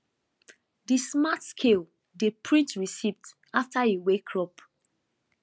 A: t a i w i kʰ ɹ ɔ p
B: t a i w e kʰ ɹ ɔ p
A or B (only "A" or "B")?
B